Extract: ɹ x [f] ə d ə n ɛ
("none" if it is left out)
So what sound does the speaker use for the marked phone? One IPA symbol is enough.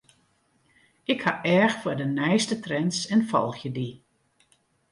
f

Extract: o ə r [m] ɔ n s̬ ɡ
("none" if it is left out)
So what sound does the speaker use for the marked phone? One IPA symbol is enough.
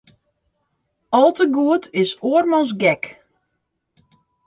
m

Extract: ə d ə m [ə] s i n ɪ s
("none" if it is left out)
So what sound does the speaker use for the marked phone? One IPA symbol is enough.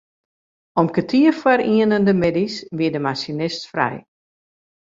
a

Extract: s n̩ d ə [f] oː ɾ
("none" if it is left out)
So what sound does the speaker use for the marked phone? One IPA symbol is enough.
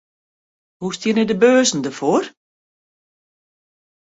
f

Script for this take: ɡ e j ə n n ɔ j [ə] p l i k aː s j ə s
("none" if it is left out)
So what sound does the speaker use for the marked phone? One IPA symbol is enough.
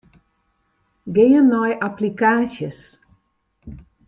a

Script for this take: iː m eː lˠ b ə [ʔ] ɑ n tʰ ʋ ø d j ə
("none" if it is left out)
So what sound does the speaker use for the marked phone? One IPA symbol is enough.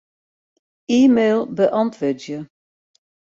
ʔ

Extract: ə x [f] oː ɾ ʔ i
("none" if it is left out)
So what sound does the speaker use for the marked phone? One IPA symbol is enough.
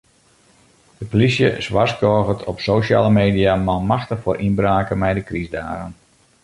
f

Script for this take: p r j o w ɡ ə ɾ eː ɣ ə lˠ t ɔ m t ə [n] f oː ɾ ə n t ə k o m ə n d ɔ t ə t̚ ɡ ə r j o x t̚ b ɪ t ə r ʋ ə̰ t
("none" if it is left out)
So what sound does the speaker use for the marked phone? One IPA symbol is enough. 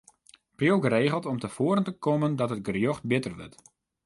none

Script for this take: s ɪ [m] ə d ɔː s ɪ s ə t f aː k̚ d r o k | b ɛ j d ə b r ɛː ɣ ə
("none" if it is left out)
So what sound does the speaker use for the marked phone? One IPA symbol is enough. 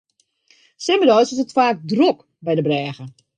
m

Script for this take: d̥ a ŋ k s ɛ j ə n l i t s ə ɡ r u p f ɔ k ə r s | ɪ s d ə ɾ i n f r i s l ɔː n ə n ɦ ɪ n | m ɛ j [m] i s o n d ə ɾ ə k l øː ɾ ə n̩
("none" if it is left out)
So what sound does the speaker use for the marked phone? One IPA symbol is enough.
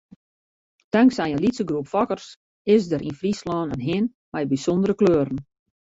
b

